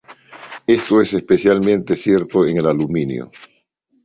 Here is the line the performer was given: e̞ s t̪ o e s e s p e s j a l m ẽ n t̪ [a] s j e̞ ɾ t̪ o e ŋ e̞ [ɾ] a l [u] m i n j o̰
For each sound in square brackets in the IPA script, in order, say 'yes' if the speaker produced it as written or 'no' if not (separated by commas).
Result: no, no, yes